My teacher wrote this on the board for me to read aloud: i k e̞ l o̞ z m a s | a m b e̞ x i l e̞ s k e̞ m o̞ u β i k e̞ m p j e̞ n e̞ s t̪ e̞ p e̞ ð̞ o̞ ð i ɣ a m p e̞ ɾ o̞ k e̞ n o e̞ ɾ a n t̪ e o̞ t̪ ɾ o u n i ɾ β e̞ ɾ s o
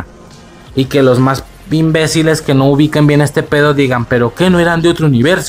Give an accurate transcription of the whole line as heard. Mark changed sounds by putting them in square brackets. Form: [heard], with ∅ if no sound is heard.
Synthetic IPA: i k e̞ l o̞ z m a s | [i] m b e̞ [s] i l e̞ s k e̞ [n] o̞ u β i k e̞ m [b] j e̞ n e̞ s t̪ e̞ p e̞ ð̞ o̞ ð i ɣ a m p e̞ ɾ o̞ k e̞ n o e̞ ɾ a n [d̪] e o̞ t̪ ɾ o u n i [∅] β e̞ ɾ s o